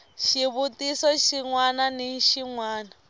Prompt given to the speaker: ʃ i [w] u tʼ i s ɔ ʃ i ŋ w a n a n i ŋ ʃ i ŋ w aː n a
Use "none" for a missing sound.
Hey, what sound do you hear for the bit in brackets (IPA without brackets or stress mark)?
β